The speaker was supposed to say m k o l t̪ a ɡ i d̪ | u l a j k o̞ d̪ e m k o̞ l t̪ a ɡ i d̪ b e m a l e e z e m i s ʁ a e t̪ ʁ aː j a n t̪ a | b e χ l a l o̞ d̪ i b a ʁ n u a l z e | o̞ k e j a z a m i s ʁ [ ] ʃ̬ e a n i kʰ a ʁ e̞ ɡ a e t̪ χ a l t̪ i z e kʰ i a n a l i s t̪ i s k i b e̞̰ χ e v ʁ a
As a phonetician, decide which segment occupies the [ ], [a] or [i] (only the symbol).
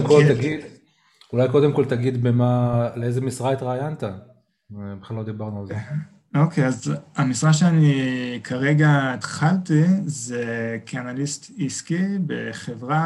a